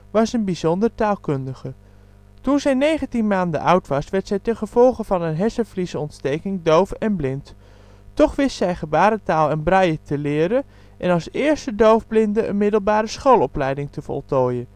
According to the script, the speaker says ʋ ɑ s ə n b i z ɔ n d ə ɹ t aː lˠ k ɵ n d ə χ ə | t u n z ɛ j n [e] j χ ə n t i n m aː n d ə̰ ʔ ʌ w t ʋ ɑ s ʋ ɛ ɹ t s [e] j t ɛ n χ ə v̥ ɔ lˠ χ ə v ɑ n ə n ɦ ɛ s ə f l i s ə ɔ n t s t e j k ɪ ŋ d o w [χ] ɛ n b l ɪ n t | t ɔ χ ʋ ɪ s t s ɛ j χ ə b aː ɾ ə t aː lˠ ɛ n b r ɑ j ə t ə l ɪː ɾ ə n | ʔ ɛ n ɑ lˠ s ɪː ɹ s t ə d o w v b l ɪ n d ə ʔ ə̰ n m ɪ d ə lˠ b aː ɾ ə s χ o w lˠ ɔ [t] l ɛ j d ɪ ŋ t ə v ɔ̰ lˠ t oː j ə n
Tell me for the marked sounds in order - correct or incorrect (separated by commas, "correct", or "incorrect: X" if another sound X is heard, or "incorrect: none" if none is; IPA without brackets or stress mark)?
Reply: correct, incorrect: ɛ, incorrect: f, incorrect: p